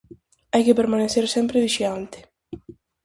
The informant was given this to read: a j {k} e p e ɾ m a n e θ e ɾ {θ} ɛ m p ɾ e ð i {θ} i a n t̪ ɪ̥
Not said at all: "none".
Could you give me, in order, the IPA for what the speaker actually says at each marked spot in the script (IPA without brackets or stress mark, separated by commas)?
k, s, ʃ